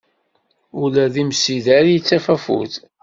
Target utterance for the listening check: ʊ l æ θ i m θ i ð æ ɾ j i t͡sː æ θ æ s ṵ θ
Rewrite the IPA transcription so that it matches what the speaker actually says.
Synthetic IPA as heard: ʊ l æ ð i m s i ð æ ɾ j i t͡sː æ f æ f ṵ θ